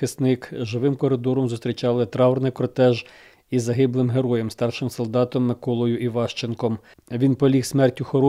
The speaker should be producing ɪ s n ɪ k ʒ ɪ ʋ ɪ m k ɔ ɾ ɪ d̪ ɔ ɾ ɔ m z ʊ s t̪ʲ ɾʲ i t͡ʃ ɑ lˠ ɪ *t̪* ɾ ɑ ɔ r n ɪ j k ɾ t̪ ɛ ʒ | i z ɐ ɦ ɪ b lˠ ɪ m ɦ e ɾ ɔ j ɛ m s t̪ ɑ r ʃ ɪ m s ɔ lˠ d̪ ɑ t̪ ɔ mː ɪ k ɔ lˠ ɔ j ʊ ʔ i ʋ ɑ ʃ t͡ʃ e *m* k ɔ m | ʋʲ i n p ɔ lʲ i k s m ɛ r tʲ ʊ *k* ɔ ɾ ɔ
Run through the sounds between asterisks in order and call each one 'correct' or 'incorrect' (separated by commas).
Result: correct, incorrect, incorrect